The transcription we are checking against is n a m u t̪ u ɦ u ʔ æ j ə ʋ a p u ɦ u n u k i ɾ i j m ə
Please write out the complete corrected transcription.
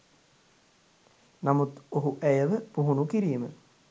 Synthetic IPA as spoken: n a m u t̪ o ɦ u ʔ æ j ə ʋ ə p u ɦ u n u k i ɾ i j m ə

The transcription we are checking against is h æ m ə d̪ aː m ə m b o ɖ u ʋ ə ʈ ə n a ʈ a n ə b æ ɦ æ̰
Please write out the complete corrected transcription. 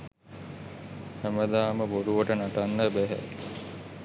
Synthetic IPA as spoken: h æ m ə d̪ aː m ə b o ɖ u ʋ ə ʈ ə n a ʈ a nː ə b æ ɦ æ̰

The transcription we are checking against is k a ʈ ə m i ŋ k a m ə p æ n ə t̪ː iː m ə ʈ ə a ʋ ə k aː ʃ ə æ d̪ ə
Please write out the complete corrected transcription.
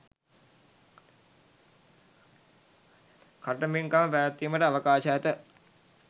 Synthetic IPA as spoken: k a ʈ ə m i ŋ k a m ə p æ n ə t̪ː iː m ə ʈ ə a ʋ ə k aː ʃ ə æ t̪ ə

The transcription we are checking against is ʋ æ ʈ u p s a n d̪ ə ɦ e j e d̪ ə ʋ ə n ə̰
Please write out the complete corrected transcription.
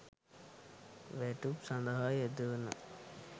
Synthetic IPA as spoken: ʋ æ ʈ u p s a n d̪ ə ɦ a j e d̪ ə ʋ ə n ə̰

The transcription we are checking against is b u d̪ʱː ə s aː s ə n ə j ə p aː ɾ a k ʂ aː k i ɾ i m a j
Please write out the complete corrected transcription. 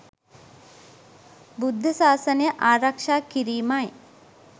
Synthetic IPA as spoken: b u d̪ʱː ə s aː s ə n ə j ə ʔ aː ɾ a k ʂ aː k i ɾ iː m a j

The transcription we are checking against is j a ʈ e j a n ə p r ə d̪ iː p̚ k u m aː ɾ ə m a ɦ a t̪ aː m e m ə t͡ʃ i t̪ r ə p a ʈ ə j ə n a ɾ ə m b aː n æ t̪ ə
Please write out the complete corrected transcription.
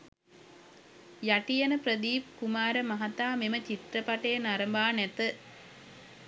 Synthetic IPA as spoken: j a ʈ i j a n ə p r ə d̪ iː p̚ k u m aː ɾ ə m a ɦ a t̪ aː m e m ə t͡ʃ i t̪ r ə p a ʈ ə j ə n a ɾ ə m b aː n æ t̪ ə

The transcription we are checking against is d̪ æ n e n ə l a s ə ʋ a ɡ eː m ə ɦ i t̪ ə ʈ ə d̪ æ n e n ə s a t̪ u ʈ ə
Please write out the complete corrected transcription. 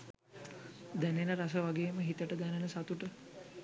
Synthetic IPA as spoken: d̪ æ n e n ə ɾ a s ə ʋ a ɡ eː m ə ɦ i t̪ ə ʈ ə d̪ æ n e n ə s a t̪ u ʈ ə

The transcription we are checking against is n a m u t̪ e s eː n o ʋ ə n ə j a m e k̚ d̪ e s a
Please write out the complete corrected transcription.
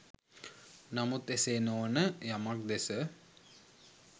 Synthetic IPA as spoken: n a m u t̪ e s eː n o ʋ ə n ə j a m a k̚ d̪ e s ə

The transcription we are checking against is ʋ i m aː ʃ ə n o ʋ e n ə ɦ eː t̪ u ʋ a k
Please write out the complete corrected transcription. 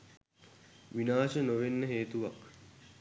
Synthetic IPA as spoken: ʋ i n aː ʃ ə n o ʋ e nː ə ɦ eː t̪ u ʋ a k

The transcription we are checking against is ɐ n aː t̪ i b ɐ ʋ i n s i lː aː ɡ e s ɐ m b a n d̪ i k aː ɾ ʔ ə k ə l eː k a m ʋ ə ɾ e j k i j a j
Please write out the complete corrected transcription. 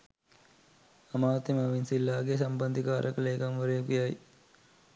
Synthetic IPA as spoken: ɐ m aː t̪ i m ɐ ʋ i n s i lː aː ɡ e s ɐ m b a n d̪ i k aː ɾ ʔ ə k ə l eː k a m ʋ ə ɾ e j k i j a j

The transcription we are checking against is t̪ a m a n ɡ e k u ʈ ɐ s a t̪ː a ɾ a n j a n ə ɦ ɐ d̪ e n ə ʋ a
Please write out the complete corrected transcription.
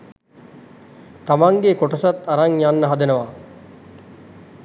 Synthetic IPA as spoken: t̪ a m a ŋ ɡ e k o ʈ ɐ s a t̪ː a ɾ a ŋ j a nː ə ɦ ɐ d̪ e n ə ʋ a

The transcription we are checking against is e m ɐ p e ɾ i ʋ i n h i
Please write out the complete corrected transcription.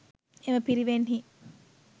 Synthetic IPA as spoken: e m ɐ p i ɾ i ʋ e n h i

